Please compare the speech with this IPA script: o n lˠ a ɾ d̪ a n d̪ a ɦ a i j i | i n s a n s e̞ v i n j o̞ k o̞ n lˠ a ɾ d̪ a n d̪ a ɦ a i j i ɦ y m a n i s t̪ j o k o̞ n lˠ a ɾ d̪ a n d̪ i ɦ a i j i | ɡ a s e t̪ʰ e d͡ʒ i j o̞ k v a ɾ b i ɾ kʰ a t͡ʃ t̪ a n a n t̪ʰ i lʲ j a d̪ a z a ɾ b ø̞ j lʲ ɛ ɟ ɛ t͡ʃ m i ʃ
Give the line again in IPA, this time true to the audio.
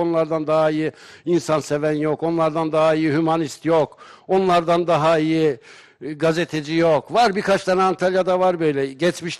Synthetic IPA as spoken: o n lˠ a ɾ d̪ a n d̪ a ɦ a i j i | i n s a n s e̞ v æ n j o̞ k o̞ n lˠ a ɾ d̪ a n d̪ a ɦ a i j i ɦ y m a n i s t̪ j o k o̞ n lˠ a ɾ d̪ a n d̪ a ɦ a i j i | ɡ a z e t̪ʰ e d͡ʒ i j o̞ k v a ɾ b i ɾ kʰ a t͡ʃ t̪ a n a n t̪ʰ a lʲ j a d̪ a v a ɾ b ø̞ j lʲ ɛ ɟ ɛ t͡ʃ m i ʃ